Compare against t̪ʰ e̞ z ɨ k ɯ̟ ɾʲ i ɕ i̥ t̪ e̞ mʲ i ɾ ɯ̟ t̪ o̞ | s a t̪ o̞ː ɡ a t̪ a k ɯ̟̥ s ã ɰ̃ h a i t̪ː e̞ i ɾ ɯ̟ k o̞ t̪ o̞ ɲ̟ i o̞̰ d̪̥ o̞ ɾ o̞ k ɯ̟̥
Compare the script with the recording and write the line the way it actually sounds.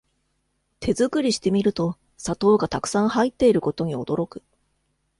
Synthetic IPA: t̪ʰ e̞ z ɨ k ɯ̟ ɾʲ i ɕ i̥ t̪ e̞ mʲ i ɾ ɯ̟ t̪ o̞ | s a t̪ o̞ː ɡ a t̪ a k ɯ̟̥ s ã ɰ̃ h a i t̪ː e̞ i ɾ ɯ̟ k o̞ t̪ o̞ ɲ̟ i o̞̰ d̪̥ o̞ ɾ o̞ k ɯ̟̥